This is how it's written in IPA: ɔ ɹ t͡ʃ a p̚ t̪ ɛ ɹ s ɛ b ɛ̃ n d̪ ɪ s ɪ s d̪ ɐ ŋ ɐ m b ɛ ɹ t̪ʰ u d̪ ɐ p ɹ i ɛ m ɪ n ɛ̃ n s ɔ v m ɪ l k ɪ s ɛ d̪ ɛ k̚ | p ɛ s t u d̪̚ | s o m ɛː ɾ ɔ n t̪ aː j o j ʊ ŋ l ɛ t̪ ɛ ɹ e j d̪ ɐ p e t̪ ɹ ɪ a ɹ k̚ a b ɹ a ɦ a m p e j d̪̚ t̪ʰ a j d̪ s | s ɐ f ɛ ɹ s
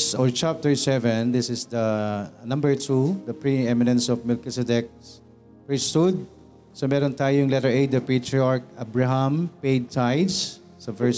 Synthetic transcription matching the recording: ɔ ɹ t͡ʃ a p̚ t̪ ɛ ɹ s ɛ v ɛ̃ n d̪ ɪ s ɪ s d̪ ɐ n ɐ m b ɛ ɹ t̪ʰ u d̪ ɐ p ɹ i ɛ m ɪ n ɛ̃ n s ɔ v m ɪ l k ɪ s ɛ d̪ ɛ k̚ | p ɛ s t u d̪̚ | s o m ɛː ɾ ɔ n t̪ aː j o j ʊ ŋ l ɛ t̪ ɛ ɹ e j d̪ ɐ p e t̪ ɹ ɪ a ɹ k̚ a b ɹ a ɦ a m p e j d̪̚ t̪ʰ a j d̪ s | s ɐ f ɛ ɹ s